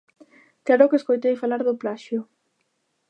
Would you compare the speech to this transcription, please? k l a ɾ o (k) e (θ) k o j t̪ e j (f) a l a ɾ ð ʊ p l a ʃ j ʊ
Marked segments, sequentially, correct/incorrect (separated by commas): correct, incorrect, correct